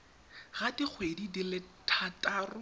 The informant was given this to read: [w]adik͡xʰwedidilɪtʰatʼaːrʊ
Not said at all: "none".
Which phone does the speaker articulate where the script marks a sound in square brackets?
ɣ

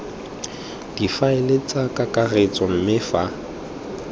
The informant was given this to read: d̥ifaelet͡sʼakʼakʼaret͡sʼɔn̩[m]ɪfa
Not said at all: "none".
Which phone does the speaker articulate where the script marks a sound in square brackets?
m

